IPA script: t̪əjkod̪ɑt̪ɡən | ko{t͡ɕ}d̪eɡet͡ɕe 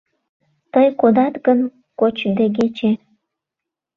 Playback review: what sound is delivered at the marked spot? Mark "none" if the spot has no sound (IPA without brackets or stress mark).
t͡ɕ